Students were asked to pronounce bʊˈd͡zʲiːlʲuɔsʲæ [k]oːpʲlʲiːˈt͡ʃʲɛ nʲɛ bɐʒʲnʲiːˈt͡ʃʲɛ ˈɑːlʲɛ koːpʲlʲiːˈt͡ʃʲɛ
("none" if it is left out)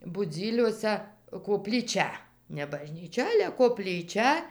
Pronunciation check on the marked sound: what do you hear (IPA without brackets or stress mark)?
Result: k